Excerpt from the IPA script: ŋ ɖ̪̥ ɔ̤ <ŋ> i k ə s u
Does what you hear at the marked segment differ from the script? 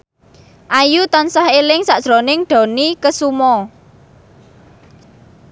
yes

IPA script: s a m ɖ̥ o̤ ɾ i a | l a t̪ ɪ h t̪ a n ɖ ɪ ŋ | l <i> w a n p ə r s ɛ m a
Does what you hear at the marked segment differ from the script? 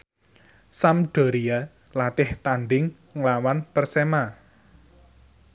yes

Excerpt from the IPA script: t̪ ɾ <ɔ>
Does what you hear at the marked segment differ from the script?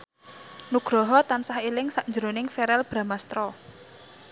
no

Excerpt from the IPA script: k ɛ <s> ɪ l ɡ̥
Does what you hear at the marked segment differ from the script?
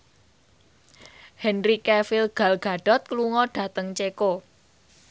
yes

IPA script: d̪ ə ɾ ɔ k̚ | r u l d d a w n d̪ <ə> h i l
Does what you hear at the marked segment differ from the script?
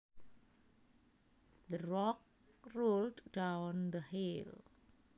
no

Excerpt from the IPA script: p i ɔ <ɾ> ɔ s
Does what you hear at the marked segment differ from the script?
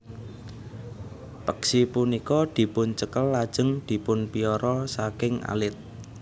no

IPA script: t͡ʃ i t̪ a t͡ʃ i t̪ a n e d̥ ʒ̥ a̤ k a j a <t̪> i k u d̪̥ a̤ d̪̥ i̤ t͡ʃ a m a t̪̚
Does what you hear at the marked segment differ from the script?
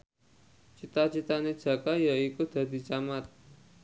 yes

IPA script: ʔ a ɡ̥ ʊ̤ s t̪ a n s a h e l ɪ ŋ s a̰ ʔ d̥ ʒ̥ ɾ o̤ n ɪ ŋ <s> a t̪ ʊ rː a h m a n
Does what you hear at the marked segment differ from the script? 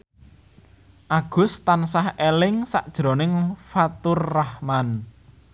yes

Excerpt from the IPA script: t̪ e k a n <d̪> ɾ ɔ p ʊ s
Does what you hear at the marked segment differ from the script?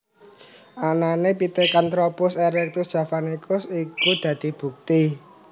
yes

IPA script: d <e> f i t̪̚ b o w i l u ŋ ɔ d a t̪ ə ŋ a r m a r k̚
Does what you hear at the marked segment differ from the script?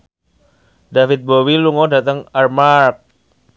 yes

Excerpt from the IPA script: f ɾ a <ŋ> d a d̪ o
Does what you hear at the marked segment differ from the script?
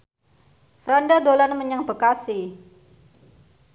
yes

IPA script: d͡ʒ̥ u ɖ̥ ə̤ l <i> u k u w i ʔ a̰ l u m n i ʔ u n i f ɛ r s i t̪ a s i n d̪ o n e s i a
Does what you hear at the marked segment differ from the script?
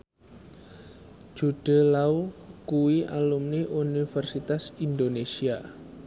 yes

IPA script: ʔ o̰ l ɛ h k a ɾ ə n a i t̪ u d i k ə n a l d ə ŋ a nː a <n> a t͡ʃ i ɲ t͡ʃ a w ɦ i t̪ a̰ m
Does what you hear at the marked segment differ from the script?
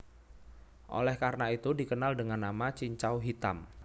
yes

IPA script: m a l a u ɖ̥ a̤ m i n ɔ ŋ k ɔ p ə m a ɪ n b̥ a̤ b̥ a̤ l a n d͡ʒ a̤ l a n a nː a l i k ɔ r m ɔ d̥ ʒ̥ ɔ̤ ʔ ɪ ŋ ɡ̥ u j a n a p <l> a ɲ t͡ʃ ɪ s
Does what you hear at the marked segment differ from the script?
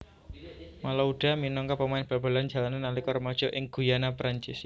yes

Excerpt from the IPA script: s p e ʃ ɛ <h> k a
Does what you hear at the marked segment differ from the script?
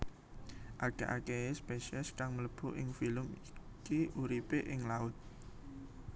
yes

